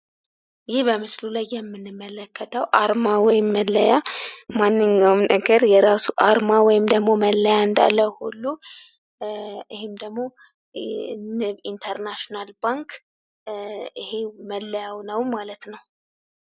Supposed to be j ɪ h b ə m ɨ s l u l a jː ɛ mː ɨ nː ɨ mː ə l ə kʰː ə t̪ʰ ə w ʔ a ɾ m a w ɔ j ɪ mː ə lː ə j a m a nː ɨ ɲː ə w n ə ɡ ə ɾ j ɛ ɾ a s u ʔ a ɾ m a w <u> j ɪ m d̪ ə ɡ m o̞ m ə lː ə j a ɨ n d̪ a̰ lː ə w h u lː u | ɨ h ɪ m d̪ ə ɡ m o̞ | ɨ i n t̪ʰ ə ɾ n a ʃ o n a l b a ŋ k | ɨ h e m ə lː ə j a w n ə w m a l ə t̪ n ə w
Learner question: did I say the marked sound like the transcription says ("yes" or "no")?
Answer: no